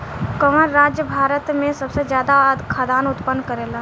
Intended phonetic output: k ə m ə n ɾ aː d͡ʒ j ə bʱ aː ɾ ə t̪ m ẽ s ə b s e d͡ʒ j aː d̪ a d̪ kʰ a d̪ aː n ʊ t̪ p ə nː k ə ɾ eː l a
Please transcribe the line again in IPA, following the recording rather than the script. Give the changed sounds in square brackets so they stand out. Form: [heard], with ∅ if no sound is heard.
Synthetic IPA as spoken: k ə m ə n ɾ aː d͡ʒ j ə bʱ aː ɾ ə t̪ m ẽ s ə b s e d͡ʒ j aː d̪ a d̪ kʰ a d̪ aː n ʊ t̪ p ə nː k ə ɾ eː l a